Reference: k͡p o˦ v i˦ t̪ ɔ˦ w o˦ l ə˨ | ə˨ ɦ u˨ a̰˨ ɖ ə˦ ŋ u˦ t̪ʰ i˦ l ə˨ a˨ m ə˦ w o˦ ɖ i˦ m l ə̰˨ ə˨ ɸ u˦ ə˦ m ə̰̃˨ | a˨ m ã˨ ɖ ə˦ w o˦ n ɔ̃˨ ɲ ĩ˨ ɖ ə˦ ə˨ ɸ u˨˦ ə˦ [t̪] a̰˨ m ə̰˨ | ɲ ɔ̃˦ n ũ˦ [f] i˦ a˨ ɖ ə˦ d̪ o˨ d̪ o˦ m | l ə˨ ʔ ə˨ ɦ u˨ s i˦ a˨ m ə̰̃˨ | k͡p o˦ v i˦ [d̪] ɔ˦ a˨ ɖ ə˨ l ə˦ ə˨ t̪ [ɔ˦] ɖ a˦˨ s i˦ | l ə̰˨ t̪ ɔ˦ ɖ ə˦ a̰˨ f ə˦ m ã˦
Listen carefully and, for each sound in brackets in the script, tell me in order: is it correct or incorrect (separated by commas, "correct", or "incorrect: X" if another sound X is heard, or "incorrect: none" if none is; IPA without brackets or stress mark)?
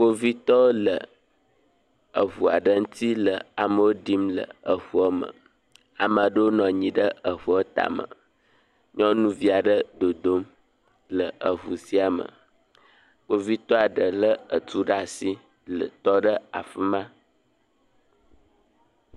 correct, incorrect: v, incorrect: t̪, incorrect: u˦